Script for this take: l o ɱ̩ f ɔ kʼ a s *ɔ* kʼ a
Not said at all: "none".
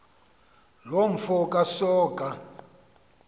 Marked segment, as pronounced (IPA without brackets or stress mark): ɔː